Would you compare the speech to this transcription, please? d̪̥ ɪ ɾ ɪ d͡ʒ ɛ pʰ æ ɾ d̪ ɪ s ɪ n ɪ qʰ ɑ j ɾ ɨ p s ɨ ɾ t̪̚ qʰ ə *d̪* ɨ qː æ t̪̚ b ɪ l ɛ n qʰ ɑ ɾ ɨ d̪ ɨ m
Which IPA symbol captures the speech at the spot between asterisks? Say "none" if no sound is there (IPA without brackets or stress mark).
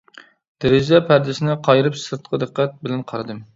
d̪